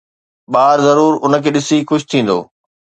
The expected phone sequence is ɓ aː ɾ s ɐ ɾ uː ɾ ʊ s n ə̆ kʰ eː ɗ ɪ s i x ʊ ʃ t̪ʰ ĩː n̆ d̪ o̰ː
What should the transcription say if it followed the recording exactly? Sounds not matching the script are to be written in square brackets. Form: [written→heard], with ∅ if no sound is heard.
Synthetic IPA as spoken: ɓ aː ɾ [s→z] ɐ ɾ uː ɾ ʊ [s→∅] n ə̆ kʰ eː ɗ ɪ s i x ʊ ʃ t̪ʰ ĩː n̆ d̪ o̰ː